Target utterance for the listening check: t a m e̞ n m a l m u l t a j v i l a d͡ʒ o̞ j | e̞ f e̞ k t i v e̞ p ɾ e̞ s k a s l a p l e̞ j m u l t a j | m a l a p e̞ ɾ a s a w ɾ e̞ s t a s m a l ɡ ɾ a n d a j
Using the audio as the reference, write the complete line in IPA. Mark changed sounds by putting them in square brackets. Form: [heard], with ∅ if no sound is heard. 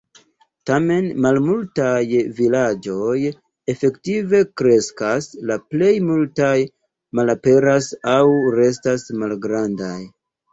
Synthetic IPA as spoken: t a m e̞ n m a l m u l t a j v i l a d͡ʒ o̞ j | e̞ f e̞ k t i v e̞ [k] ɾ e̞ s k a s l a p l e̞ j m u l t a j | m a l a p e̞ ɾ a s a w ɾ e̞ s t a s m a l ɡ ɾ a n d a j